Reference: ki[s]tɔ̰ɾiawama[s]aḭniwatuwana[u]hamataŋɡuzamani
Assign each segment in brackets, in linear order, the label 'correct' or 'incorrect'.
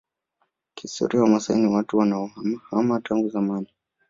correct, correct, incorrect

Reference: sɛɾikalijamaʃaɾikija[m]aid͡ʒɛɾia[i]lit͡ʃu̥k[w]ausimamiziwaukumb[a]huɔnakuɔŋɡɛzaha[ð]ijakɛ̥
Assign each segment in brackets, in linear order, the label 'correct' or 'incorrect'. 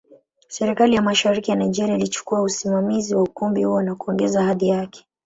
incorrect, correct, incorrect, incorrect, correct

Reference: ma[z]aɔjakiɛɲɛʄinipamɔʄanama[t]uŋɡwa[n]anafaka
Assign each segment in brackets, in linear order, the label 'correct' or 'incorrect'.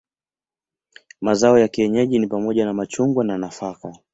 correct, incorrect, correct

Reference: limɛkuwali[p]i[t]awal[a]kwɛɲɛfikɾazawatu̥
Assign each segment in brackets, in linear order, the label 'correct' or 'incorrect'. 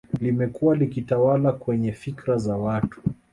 incorrect, correct, correct

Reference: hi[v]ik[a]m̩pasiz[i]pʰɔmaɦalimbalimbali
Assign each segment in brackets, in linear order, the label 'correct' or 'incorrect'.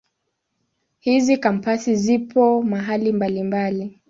incorrect, correct, correct

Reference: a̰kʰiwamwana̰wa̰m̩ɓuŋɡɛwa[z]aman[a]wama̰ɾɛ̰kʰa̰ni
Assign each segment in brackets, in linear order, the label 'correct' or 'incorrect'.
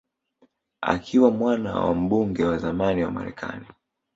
correct, incorrect

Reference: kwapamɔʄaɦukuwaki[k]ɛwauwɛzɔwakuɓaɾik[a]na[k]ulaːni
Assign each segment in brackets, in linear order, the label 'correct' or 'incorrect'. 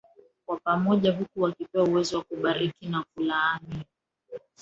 incorrect, incorrect, correct

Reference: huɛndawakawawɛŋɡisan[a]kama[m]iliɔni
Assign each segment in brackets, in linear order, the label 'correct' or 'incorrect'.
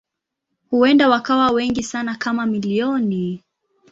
correct, correct

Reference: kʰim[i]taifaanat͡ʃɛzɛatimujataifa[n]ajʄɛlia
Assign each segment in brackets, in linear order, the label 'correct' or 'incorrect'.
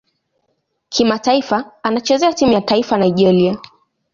incorrect, correct

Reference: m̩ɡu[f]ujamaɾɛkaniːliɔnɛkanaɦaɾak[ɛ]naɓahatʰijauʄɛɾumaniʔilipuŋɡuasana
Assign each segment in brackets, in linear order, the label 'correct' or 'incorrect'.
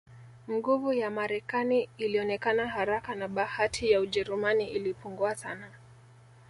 incorrect, incorrect

